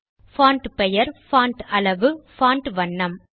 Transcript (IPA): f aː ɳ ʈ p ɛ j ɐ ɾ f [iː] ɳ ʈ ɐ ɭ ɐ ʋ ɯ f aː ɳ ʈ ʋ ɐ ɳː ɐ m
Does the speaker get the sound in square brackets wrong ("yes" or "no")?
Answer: yes